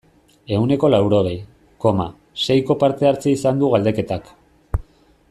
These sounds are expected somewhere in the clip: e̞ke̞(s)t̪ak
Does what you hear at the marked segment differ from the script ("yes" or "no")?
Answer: yes